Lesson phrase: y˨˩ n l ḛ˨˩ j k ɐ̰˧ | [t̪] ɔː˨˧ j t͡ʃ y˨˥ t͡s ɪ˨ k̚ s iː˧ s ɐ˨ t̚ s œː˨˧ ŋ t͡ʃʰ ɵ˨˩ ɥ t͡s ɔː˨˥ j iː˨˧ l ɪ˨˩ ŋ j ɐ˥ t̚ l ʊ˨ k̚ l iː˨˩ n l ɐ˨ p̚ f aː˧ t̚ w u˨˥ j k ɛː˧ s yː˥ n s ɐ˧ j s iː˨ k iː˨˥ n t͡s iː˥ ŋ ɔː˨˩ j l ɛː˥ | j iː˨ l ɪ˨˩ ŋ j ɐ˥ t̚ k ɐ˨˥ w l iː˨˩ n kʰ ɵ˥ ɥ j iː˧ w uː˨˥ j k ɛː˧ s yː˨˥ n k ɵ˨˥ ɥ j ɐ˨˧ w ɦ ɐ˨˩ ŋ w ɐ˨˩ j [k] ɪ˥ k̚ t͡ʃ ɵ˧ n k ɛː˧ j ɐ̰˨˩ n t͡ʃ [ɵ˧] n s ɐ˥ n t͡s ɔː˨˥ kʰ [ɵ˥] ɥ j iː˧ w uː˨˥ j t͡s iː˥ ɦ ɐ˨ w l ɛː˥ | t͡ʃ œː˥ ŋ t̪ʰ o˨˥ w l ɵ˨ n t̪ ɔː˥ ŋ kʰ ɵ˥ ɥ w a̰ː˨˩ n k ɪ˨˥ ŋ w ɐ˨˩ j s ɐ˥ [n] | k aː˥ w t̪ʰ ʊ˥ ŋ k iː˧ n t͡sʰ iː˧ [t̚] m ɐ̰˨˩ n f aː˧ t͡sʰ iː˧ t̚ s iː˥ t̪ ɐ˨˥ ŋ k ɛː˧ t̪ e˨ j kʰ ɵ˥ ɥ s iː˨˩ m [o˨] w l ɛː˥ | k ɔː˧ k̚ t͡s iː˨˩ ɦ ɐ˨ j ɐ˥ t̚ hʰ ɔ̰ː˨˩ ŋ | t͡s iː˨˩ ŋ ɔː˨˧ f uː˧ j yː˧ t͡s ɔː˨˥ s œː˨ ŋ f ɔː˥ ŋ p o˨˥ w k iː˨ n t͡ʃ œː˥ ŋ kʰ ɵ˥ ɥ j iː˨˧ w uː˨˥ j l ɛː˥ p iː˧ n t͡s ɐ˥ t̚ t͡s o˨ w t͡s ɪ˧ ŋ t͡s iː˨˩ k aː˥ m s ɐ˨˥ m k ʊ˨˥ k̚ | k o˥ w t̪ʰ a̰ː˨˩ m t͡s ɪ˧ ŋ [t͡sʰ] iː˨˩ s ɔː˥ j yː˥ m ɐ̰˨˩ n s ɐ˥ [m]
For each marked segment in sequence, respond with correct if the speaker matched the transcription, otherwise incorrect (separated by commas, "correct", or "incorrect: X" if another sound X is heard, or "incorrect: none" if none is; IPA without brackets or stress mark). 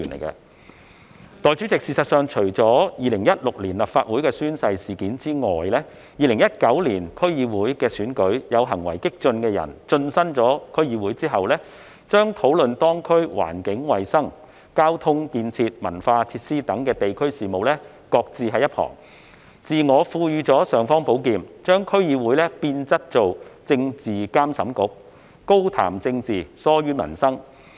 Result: correct, correct, correct, correct, incorrect: ŋ, correct, correct, incorrect: t͡s, incorrect: ŋ